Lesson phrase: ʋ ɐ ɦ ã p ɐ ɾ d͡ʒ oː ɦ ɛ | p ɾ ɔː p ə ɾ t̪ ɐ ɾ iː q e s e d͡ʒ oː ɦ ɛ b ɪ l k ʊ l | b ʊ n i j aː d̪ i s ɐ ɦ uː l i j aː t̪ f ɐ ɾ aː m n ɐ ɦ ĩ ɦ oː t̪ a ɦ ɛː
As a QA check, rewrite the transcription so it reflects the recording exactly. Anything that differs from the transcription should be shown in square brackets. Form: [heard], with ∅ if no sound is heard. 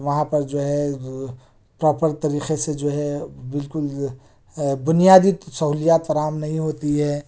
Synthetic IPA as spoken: ʋ ɐ ɦ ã p ɐ ɾ d͡ʒ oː ɦ ɛ | p ɾ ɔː p ə ɾ t̪ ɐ ɾ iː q e s e d͡ʒ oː ɦ ɛ b ɪ l k ʊ l | b ʊ n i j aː d̪ i s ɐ ɦ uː l i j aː t̪ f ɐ ɾ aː m n ɐ ɦ ĩ ɦ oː t̪ [i] ɦ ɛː